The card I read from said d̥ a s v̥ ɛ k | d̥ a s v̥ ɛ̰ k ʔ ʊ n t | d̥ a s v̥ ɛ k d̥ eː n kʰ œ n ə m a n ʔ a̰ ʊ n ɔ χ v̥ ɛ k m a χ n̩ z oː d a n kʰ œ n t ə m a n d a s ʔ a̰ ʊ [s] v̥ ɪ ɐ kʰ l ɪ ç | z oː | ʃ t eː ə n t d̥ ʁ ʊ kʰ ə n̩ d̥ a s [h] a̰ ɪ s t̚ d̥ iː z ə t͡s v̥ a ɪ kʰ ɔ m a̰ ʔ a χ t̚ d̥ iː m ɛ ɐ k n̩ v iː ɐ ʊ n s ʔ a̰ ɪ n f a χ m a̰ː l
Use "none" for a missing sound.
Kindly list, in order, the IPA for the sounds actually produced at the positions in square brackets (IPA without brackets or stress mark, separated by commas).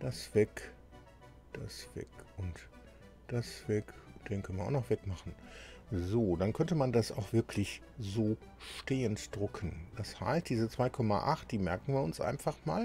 x, h